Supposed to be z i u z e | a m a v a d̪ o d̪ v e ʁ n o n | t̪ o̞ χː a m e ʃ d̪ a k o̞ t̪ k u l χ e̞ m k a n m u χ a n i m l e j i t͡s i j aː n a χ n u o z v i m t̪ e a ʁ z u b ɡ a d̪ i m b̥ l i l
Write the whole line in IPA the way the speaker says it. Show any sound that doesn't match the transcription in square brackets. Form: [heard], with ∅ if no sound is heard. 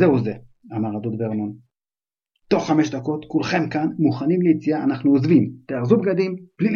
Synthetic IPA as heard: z [e] u z e | a m a [ʁ] a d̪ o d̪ v e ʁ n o n | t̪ o̞ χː a m e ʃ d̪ a k o̞ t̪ k u l χ e̞ m k a n m u χ a n i m l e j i t͡s i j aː n a χ n u o z v i m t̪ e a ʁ z u b ɡ a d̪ i m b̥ l i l